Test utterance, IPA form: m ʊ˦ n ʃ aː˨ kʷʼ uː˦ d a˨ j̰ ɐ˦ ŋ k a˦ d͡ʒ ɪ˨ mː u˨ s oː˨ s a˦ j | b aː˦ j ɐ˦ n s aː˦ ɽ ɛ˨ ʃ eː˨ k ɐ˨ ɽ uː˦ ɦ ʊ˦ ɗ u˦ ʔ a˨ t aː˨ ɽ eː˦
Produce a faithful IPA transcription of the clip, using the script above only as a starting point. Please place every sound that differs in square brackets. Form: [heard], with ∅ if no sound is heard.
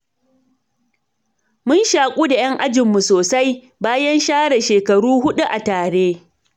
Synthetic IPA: m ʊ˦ n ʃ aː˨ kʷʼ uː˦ d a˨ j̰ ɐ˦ ŋ [ʔ] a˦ d͡ʒ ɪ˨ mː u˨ s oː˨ s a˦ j | b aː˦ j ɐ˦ n [ʃ] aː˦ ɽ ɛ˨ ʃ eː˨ k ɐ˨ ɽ uː˦ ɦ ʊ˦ ɗ u˦ ʔ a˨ t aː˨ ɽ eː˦